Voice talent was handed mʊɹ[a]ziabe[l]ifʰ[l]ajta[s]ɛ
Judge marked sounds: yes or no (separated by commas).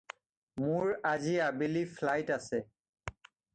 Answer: yes, yes, yes, yes